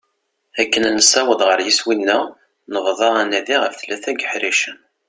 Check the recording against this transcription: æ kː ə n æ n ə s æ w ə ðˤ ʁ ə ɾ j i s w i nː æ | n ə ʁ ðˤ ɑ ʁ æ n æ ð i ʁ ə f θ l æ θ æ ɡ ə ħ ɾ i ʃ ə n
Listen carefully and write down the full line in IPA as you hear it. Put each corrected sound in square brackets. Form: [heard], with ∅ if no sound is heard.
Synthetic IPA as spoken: æ kː ə n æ n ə s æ w ə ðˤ ʁ ə ɾ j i s w i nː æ | n ə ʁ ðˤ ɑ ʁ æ n æ ð i ʁ ə f θ l æ θ æ ɡ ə ħ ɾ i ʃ ə n